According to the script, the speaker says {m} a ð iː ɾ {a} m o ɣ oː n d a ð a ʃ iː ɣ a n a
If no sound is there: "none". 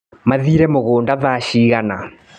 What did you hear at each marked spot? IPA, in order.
m, ɛ

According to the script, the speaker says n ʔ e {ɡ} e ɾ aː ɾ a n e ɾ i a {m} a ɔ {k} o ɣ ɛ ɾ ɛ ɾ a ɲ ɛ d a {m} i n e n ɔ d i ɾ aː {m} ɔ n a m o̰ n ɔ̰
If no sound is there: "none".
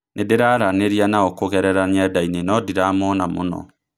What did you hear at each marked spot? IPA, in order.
d, n, k, none, m

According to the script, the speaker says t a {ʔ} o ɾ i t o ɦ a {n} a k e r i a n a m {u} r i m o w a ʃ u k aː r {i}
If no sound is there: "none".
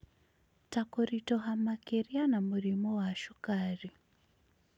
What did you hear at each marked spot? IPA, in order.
k, m, u, i

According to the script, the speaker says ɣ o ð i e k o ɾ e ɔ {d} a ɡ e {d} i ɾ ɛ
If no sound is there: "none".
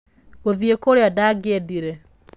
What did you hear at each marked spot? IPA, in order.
d, d

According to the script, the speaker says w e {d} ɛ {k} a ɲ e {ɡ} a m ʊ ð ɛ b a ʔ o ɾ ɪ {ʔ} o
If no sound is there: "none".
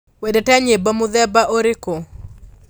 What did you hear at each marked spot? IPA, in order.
d, t, b, k

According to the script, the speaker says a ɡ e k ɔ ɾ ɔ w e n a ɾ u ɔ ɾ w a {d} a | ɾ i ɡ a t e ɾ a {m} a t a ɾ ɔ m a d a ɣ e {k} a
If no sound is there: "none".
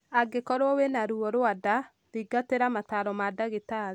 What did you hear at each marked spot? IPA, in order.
d, m, t

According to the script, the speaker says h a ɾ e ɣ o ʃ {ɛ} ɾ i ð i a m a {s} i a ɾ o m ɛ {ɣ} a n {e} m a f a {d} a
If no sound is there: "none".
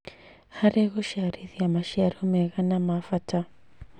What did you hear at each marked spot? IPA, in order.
a, ʃ, ɣ, a, t

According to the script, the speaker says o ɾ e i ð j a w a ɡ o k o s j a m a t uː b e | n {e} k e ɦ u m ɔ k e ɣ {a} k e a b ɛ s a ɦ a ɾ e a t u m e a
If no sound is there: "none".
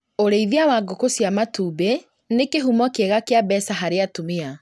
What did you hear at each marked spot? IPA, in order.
e, a

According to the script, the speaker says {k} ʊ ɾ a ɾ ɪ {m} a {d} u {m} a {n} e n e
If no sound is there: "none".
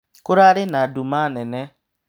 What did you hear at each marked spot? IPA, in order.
k, n, d, m, n

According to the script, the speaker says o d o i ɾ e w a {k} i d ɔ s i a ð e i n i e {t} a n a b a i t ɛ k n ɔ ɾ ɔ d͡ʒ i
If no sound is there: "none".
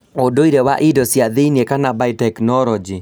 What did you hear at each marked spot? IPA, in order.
ʔ, k

